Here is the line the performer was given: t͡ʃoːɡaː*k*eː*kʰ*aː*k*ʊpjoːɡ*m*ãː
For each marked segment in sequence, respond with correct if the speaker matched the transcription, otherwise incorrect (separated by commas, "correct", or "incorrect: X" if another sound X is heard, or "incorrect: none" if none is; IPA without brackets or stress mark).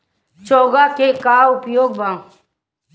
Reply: correct, incorrect: k, incorrect: none, incorrect: b